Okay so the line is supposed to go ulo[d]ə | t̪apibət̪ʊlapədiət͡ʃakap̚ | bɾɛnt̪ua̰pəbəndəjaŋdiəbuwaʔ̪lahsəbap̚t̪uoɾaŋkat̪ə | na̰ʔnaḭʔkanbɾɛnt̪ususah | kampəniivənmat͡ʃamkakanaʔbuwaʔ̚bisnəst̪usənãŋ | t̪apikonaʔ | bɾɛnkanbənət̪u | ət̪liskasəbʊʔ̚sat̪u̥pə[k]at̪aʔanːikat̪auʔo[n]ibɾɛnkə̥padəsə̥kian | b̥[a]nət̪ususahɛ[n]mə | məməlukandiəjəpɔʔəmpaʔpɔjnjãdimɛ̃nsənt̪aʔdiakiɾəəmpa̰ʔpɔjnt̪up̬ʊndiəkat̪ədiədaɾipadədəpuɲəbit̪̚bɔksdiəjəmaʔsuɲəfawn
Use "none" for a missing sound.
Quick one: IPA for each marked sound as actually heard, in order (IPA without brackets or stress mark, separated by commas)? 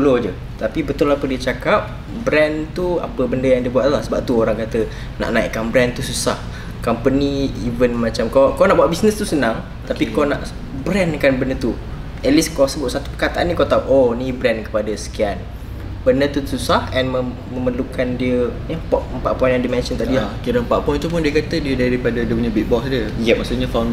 d͡ʒ, k, n, ə, n